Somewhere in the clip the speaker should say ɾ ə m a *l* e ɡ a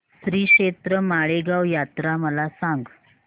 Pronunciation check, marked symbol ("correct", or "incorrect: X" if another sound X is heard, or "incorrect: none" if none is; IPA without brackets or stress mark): incorrect: ɭ